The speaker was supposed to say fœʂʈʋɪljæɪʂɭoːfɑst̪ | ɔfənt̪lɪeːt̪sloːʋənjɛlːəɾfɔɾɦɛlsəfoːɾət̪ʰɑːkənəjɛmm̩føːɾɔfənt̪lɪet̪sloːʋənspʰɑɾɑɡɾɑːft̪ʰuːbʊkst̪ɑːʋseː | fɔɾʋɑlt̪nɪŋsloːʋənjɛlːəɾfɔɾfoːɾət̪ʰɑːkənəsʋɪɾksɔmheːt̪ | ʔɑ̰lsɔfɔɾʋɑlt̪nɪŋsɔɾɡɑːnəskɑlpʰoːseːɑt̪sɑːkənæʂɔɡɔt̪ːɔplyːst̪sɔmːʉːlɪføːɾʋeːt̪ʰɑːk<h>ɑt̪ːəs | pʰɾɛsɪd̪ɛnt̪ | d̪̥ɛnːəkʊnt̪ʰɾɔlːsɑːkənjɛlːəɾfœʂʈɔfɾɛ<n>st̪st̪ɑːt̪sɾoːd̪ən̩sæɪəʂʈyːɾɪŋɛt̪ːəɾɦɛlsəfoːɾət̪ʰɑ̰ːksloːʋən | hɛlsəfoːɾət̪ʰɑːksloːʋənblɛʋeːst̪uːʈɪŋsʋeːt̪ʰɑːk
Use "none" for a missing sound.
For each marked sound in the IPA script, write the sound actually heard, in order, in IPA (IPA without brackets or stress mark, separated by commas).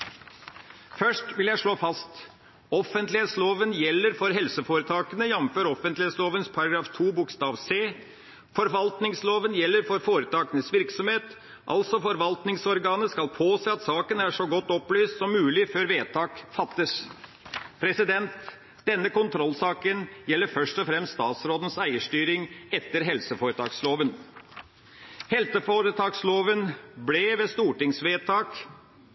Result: f, m